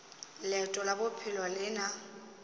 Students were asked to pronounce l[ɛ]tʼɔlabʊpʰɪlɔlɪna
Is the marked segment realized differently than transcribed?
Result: no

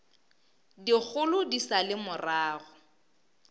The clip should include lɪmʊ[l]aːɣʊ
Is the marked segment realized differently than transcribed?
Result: yes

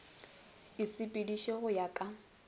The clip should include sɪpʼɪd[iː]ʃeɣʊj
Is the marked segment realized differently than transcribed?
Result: yes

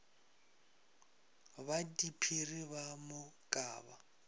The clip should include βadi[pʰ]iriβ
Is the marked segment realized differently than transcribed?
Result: no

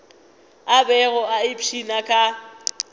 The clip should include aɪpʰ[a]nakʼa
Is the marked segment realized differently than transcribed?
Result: yes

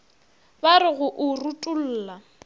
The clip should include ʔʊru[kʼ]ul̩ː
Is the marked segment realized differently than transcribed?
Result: yes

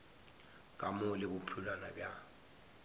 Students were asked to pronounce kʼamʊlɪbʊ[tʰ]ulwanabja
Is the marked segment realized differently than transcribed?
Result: yes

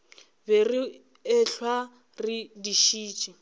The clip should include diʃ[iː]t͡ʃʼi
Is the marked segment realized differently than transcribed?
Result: no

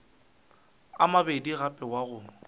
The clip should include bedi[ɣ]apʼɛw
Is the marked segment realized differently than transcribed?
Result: no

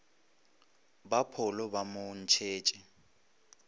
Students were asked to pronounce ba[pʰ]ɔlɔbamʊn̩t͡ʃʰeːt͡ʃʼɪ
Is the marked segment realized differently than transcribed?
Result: no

